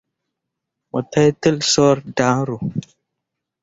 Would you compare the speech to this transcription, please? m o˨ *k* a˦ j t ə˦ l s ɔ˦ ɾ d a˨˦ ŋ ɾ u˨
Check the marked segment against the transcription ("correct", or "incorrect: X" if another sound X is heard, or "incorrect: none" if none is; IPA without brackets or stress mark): incorrect: t